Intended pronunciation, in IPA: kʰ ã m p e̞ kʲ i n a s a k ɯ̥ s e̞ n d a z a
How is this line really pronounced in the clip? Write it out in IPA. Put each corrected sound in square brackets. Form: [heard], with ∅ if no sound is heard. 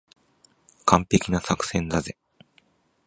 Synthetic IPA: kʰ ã m p e̞ kʲ i n a s a k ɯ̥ s [ẽ̞] n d a z [e]